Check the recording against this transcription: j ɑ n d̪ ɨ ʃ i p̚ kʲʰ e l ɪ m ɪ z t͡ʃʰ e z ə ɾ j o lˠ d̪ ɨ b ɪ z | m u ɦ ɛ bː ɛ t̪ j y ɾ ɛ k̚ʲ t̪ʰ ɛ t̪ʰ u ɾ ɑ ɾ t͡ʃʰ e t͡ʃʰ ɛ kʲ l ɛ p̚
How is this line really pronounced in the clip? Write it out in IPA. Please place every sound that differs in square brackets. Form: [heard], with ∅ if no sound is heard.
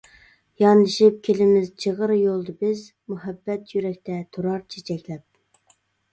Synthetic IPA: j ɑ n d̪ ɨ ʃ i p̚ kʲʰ e l ɪ m ɪ z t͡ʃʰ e [ʁ] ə ɾ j o lˠ d̪ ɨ b ɪ z | m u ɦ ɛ bː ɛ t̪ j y ɾ ɛ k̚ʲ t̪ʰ ɛ t̪ʰ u ɾ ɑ ɾ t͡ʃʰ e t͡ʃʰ ɛ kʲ l ɛ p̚